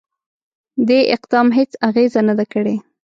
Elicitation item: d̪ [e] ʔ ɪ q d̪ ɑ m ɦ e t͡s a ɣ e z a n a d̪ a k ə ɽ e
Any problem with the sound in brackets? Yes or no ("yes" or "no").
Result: no